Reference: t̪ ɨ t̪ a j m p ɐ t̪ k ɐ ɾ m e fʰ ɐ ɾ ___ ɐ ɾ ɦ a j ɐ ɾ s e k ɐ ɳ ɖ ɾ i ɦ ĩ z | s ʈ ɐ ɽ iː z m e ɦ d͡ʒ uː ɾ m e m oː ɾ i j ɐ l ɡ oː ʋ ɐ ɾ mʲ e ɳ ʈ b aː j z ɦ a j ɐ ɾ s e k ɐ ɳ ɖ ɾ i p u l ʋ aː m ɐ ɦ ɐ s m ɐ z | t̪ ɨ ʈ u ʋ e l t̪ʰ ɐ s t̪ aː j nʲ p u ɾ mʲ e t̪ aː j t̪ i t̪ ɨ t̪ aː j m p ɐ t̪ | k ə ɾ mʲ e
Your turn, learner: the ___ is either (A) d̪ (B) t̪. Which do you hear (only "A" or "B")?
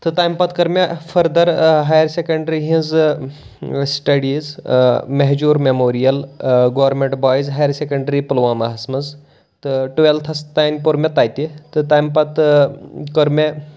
A